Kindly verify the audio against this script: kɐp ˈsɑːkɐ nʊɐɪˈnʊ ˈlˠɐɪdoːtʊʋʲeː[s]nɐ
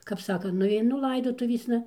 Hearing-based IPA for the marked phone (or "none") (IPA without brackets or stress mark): s